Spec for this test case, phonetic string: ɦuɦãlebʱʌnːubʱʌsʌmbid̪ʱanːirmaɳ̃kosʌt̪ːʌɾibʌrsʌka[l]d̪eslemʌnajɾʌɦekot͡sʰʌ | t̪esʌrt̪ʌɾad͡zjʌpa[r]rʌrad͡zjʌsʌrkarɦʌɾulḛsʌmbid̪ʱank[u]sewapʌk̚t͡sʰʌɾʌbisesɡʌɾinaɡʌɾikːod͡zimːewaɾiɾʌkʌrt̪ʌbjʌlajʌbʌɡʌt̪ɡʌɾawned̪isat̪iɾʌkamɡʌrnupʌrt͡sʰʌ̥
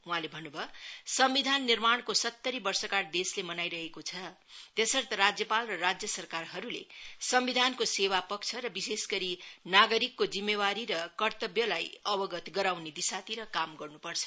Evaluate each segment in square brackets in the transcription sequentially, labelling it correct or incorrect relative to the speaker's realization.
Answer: incorrect: r, incorrect: l, incorrect: o

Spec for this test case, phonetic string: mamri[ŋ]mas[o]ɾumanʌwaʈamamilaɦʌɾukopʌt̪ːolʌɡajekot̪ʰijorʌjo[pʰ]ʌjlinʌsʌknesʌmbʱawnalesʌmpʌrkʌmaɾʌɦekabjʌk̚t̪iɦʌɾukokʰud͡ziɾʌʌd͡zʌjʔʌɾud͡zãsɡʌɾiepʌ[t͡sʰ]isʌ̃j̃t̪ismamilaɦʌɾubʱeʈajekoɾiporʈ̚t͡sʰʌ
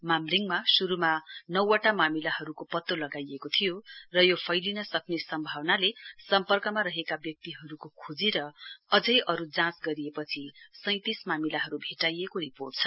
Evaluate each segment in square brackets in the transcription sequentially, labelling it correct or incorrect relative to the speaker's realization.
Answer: correct, incorrect: u, correct, correct

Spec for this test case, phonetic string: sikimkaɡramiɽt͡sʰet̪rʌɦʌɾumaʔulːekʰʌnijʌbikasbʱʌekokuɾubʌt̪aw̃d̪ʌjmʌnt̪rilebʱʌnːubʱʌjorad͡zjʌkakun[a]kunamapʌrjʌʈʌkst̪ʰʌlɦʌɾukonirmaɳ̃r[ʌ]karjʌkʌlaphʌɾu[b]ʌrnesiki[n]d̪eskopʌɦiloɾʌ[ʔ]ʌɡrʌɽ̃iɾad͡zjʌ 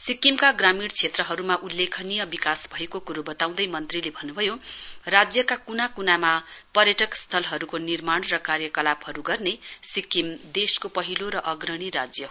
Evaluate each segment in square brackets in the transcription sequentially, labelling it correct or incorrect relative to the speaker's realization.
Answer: correct, correct, incorrect: ɡ, incorrect: m, correct

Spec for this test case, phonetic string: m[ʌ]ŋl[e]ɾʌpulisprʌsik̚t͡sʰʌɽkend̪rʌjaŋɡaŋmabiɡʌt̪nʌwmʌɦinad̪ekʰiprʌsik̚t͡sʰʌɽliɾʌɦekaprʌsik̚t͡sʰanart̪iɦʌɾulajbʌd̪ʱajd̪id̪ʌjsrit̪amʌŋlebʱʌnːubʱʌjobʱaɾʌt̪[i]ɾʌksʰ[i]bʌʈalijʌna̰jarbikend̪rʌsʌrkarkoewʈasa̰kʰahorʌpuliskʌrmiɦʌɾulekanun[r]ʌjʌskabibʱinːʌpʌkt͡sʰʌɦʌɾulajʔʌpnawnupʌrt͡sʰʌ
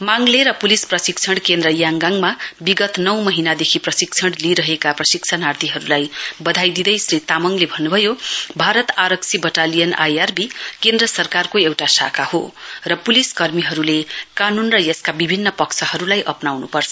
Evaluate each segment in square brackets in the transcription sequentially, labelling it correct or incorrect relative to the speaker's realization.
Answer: incorrect: a, correct, incorrect: a, correct, correct

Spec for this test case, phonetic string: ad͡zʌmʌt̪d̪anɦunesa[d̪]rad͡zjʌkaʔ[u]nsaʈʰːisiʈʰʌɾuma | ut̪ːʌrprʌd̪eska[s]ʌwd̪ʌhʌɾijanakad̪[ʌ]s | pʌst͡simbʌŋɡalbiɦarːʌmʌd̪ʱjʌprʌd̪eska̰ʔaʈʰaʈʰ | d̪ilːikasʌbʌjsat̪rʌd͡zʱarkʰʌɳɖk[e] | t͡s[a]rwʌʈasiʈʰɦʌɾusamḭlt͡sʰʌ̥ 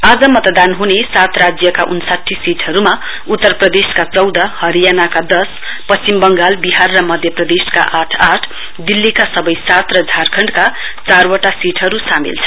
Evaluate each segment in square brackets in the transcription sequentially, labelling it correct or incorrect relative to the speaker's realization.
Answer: incorrect: t̪, correct, incorrect: t͡s, correct, incorrect: a, correct

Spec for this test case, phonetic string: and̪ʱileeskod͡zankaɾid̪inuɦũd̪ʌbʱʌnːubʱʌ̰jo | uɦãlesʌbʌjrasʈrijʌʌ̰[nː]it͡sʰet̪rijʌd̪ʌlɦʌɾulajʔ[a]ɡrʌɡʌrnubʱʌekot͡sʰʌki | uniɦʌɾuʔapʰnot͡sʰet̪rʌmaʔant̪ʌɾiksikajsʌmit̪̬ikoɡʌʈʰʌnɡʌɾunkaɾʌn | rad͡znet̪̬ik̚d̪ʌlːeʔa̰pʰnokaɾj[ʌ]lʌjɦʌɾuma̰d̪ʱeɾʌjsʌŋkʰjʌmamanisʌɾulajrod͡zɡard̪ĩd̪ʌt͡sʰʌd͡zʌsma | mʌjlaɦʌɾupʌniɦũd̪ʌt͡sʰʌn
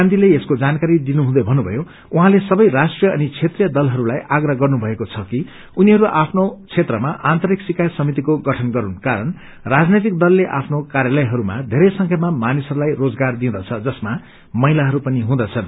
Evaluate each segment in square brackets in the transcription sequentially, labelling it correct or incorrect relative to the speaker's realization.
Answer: incorrect: n, correct, incorrect: a

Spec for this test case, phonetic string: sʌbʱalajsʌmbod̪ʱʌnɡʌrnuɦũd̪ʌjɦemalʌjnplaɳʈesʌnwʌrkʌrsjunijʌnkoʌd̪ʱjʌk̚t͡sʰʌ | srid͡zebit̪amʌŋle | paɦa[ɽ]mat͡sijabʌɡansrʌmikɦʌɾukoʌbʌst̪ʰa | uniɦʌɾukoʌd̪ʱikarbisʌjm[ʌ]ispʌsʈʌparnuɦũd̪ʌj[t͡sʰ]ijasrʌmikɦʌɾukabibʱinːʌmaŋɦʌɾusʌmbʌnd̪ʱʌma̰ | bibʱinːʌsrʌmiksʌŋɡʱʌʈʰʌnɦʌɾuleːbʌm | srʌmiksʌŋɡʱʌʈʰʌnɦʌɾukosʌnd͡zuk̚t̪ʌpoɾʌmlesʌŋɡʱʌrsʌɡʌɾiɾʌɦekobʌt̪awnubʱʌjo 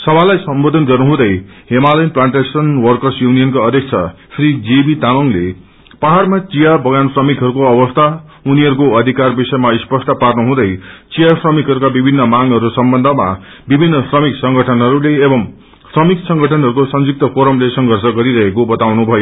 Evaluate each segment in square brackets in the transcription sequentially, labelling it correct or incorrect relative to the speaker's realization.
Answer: incorrect: r, incorrect: a, incorrect: t͡s

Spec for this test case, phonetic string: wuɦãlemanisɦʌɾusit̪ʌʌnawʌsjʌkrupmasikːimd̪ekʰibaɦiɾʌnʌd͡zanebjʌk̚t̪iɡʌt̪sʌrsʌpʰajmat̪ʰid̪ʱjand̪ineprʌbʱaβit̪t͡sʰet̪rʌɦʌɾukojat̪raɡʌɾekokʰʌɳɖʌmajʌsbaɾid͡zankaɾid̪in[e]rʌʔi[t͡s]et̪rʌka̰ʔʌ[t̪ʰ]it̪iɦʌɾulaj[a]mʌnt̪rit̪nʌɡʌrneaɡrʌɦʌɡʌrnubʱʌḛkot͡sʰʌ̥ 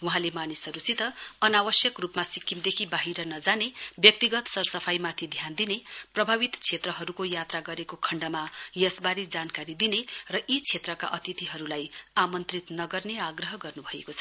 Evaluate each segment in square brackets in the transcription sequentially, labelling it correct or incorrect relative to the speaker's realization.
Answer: correct, incorrect: t͡sʰ, incorrect: t̪, correct

